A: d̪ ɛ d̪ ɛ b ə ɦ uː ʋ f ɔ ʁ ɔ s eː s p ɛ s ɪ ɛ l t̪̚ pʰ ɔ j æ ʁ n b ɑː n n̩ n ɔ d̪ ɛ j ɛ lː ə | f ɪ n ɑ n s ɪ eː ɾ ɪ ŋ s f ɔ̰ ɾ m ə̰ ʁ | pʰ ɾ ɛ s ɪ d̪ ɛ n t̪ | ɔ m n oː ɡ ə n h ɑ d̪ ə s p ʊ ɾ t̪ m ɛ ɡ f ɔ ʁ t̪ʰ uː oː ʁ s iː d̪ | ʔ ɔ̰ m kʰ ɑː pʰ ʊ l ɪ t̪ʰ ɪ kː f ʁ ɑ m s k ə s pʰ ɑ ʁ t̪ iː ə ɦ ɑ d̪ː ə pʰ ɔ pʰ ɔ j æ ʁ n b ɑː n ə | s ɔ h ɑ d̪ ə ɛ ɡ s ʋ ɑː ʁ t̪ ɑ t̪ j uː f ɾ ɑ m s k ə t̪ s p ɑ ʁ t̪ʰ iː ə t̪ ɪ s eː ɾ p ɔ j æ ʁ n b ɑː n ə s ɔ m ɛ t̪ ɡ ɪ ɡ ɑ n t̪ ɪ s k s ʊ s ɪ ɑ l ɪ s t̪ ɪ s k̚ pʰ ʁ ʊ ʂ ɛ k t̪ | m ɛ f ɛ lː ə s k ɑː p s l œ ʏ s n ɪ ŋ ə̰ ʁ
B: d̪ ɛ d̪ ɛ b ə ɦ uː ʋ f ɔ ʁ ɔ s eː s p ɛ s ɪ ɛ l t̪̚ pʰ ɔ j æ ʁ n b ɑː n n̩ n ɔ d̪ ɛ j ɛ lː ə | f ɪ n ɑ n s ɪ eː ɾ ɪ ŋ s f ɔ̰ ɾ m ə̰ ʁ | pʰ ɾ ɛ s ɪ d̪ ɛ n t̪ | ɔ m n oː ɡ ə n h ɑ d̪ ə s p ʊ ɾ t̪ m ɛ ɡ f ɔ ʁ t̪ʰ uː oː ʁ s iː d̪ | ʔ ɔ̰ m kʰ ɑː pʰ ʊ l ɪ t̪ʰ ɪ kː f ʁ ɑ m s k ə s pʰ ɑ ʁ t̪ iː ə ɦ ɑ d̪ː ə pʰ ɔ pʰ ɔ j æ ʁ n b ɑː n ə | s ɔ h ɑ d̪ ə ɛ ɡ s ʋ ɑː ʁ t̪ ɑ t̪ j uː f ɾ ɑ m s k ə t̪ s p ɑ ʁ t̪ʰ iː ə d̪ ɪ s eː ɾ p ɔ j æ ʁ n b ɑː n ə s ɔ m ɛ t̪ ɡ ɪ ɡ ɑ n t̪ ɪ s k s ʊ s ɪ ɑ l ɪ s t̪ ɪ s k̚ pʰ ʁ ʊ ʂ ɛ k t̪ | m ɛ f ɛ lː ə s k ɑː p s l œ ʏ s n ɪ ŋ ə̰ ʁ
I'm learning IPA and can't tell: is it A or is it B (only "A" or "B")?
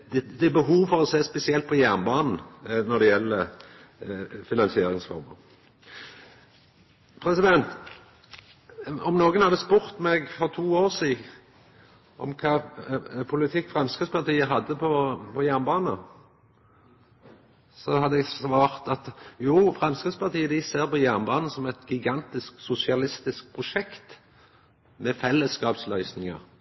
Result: B